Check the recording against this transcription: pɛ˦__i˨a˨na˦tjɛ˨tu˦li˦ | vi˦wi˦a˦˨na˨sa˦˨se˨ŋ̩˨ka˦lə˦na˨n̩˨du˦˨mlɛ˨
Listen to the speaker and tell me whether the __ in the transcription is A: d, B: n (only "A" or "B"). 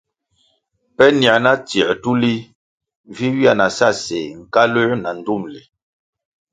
B